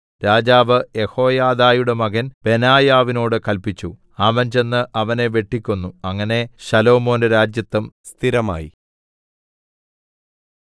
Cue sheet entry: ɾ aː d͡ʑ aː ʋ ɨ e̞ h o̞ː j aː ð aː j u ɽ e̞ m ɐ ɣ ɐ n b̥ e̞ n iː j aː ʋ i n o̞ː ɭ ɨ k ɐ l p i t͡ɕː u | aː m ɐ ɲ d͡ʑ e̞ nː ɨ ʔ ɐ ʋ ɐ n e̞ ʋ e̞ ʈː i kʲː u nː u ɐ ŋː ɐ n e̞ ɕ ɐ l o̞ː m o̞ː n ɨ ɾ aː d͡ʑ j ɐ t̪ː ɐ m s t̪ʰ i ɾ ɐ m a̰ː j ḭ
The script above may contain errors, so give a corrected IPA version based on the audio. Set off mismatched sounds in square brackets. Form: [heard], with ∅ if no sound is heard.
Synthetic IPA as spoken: ɾ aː d͡ʑ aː ʋ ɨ e̞ h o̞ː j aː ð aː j u ɽ e̞ m ɐ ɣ ɐ n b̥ e̞ n [aː] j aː ʋ i n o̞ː [ɽ] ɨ k ɐ l p i t͡ɕː u | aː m ɐ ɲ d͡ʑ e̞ nː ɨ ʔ ɐ ʋ ɐ n e̞ ʋ e̞ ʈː i kʲː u nː u ɐ ŋː ɐ n e̞ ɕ ɐ l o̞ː m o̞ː n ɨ ɾ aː d͡ʑ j ɐ t̪ː ɐ m s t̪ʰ i ɾ ɐ m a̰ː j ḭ